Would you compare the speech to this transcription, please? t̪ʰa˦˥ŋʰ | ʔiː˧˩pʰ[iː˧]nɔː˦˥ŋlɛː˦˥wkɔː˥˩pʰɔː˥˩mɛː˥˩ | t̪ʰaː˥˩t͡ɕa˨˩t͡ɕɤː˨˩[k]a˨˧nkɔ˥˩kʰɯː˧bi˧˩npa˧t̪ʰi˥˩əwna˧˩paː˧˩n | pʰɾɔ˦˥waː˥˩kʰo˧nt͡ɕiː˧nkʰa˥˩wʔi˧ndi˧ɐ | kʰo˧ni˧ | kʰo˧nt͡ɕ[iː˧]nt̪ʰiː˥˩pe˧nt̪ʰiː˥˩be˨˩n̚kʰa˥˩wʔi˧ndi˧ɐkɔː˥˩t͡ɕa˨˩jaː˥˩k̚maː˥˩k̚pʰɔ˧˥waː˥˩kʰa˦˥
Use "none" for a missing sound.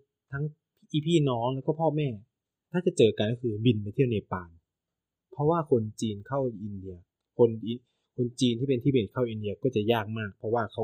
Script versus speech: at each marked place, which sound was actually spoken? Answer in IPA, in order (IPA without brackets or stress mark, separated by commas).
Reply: iː˥˩, k, iː˧